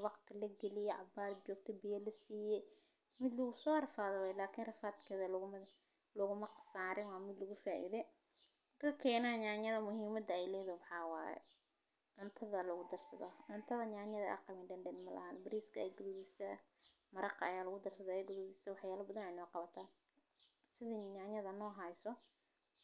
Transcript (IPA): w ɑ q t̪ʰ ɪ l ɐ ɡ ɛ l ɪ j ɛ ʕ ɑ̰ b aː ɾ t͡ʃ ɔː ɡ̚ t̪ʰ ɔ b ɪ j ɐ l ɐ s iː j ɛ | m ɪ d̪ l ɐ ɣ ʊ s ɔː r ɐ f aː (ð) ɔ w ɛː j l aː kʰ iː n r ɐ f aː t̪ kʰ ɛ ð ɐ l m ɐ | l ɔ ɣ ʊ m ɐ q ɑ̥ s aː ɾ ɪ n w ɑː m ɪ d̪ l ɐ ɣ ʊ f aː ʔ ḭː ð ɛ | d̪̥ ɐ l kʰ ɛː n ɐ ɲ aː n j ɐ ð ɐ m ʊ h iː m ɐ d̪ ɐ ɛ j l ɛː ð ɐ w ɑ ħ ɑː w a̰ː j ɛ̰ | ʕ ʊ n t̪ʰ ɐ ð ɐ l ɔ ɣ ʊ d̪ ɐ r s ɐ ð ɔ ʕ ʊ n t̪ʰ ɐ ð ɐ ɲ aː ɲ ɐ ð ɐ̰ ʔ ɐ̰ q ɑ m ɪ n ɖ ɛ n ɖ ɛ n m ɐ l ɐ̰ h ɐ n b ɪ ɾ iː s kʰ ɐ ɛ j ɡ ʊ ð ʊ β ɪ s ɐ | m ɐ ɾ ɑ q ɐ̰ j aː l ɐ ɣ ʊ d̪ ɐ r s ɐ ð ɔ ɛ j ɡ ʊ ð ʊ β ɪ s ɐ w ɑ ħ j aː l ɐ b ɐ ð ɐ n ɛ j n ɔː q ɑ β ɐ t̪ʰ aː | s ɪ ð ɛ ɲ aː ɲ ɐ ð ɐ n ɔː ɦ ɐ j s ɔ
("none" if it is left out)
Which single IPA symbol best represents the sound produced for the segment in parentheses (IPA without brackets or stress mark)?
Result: ð